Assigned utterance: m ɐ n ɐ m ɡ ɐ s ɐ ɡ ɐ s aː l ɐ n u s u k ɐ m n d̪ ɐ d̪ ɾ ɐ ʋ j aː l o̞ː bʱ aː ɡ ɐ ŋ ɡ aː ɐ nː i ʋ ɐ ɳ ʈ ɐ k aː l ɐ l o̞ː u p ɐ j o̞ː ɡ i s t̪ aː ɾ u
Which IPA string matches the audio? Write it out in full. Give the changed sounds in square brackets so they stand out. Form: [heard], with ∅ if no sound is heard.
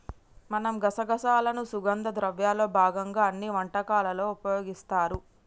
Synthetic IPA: m ɐ n ɐ m ɡ ɐ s ɐ ɡ ɐ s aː l ɐ n u s u [ɡ] ɐ [∅] n d̪ ɐ d̪ ɾ ɐ ʋ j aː l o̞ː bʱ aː ɡ ɐ ŋ ɡ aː ɐ nː i ʋ ɐ ɳ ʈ ɐ k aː l ɐ l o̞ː u p ɐ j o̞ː ɡ i s t̪ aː ɾ u